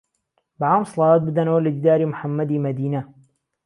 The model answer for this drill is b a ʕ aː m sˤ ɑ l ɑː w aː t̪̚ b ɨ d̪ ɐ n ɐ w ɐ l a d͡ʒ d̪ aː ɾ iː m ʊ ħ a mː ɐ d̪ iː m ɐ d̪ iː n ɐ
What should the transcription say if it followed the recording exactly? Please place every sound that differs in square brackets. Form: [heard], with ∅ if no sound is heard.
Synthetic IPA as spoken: b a ʕ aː m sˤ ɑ l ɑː w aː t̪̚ b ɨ d̪ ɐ n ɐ w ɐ l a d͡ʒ d̪ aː ɾ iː m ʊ ħ a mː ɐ d̪ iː m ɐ d̪ iː n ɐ